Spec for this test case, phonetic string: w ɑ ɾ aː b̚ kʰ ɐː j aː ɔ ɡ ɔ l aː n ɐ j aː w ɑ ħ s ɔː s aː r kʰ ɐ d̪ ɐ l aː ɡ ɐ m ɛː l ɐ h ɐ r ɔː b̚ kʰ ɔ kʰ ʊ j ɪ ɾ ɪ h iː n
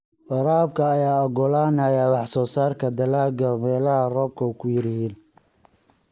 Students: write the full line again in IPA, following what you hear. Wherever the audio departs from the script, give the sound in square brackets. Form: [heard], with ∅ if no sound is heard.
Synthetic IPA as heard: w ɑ ɾ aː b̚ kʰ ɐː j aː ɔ ɡ ɔ l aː n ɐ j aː w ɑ ħ s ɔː s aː r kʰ ɐ d̪ ɐ l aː ɡ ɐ m ɛː l ɐ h ɐ r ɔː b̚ kʰ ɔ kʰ ʊ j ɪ ɾ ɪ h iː n